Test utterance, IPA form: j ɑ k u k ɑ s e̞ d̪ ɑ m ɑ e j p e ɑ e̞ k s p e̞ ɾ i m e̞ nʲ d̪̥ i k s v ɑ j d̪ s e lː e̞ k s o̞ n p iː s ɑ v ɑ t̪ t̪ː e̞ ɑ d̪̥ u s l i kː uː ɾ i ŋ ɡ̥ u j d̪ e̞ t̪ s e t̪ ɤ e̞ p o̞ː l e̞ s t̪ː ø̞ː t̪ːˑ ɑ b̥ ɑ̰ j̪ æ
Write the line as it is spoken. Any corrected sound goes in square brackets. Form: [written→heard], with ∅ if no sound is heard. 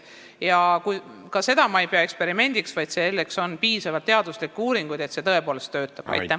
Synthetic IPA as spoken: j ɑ k u k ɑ s e̞ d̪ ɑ m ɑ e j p e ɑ e̞ k s p e̞ ɾ i m e̞ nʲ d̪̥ i k s v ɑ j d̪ s e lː e̞ k s o̞ n p iː s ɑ v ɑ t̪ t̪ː e̞ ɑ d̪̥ u s l i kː uː ɾ i ŋ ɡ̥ u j d̪ e̞ t̪ s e t̪ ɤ e̞ p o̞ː l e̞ s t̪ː ø̞ː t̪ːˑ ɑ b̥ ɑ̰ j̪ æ